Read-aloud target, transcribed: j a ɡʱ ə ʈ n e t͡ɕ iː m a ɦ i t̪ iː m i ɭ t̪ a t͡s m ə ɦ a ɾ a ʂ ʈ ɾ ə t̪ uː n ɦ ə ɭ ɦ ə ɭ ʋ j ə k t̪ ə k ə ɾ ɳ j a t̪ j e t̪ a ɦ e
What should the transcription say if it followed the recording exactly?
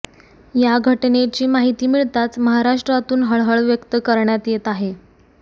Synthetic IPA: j a ɡʱ ə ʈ n e t͡ɕ iː m a ɦ i t̪ iː m i ɭ t̪ a t͡s m ə ɦ a ɾ a ʂ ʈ ɾ a t̪ uː n ɦ ə ɭ ɦ ə ɭ ʋ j ə k t̪ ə k ə ɾ ɳ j a t̪ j e t̪ a ɦ e